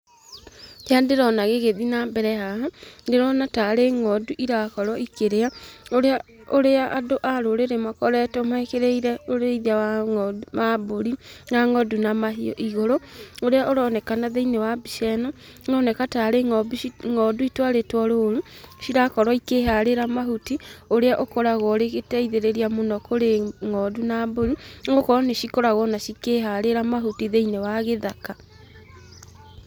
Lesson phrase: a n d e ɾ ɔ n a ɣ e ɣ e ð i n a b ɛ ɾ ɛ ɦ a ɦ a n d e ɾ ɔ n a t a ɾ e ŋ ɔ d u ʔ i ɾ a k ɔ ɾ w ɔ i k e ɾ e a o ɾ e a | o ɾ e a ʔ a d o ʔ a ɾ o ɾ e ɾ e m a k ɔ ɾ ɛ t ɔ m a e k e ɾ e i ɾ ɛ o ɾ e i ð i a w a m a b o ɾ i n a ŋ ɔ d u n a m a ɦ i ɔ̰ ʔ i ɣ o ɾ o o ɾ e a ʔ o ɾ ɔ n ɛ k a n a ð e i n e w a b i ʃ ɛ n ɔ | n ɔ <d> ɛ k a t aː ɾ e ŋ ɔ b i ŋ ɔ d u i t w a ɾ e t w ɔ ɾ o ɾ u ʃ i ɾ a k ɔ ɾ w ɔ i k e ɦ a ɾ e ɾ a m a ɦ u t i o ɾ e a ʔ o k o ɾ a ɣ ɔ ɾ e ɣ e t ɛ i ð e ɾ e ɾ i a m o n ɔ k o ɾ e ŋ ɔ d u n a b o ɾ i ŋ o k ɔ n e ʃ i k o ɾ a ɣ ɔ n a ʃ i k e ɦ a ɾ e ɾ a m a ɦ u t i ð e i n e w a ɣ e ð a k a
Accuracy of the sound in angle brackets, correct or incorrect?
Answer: incorrect